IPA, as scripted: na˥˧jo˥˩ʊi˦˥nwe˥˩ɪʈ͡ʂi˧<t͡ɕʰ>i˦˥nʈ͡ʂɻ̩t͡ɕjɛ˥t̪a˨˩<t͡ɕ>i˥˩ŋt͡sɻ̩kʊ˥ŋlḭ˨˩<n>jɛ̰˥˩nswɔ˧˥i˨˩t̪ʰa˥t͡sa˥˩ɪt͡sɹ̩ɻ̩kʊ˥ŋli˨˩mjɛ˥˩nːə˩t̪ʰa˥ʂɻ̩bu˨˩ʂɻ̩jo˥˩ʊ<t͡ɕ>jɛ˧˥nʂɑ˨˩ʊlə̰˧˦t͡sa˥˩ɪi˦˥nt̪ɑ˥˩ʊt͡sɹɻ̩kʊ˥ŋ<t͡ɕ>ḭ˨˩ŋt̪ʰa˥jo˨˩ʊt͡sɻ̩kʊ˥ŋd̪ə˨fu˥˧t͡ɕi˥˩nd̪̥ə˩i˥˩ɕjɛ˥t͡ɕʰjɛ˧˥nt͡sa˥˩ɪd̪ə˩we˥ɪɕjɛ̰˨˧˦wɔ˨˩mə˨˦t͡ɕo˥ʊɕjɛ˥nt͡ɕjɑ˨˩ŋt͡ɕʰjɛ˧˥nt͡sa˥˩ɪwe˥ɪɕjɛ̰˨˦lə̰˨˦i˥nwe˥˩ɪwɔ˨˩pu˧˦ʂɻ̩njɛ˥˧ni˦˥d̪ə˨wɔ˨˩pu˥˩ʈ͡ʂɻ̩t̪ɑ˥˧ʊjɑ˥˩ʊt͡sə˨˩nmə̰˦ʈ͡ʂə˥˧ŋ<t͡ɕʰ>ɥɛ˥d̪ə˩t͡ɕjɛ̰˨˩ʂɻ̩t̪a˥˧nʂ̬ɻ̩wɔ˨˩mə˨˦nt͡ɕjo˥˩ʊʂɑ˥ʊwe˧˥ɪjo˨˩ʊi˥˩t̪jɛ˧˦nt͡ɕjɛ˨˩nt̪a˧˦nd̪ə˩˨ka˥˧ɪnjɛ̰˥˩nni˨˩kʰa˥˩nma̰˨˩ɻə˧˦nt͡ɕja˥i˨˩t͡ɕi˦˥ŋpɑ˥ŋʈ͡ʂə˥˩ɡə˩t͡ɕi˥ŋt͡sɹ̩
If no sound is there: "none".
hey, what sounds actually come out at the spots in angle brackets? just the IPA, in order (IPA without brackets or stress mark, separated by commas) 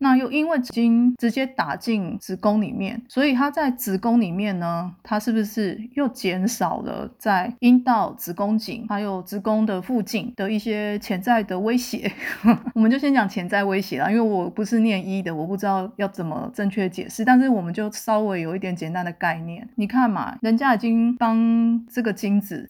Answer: t͡ɕ, t͡ɕ, m, t͡ɕ, t͡ɕ, t͡ɕʰ